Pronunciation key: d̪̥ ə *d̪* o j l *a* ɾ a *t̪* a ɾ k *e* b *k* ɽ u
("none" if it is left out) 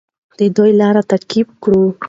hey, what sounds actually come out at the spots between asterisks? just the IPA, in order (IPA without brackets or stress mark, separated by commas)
d̪, ɑ, t̪, i, k